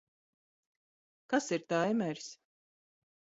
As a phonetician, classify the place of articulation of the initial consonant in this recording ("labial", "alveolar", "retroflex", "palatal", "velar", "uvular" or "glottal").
velar